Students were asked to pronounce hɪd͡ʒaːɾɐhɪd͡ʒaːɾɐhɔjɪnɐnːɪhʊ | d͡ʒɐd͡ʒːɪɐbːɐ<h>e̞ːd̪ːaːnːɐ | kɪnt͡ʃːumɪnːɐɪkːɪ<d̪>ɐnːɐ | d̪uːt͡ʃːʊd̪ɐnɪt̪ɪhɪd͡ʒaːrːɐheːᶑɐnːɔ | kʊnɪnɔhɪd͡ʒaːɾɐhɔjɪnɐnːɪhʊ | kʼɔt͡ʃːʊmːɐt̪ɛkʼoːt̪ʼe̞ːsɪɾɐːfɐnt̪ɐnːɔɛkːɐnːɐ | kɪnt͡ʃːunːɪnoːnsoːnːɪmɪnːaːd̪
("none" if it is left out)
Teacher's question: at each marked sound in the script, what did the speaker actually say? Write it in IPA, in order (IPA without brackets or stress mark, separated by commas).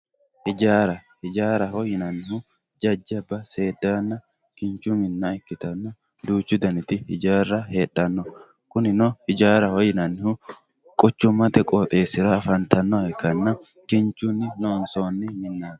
s, t̪